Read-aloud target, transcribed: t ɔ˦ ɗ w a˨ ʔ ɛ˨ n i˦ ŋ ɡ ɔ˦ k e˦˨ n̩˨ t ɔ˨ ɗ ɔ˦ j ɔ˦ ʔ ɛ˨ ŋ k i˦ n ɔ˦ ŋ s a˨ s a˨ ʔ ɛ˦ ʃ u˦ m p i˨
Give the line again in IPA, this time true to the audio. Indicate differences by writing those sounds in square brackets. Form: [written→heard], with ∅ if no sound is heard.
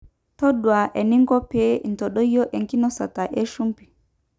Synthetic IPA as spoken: t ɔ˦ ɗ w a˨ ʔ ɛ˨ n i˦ ŋ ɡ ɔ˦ [k→p] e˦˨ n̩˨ t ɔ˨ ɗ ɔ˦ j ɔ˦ ʔ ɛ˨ ŋ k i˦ n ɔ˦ [ŋ→∅] s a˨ [s→t] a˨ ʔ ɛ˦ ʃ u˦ m p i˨